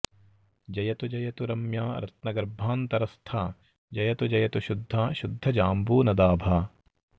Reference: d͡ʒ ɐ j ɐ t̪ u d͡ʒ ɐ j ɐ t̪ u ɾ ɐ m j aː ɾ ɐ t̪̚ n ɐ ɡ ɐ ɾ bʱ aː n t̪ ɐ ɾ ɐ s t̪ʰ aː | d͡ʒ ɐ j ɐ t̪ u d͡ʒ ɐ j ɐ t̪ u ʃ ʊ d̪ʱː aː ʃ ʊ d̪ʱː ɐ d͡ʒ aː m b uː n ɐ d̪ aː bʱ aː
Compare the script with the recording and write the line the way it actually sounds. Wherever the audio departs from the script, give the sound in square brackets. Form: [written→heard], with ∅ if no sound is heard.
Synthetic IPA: d͡ʒ ɐ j ɐ t̪ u d͡ʒ ɐ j ɐ t̪ u ɾ ɐ m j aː ɾ ɐ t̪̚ n ɐ ɡ ɐ ɾ bʱ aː n t̪ ɐ ɾ ɐ s t̪ʰ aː | d͡ʒ ɐ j ɐ t̪ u d͡ʒ ɐ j ɐ t̪ u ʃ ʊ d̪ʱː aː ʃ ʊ d̪ʱː ɐ d͡ʒ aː m b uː n ɐ d̪ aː bʱ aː